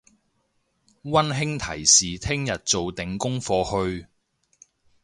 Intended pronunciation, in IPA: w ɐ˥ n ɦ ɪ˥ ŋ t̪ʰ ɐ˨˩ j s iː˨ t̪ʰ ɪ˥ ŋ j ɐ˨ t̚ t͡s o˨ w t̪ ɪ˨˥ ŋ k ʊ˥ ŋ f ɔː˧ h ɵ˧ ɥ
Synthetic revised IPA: w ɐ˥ n ɦ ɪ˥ ŋ t̪ʰ ɐ˨˩ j s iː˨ t̪ʰ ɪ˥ ŋ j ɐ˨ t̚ t͡s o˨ w t̪ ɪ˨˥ ŋ k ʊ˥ ŋ f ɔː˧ h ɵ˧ ɥ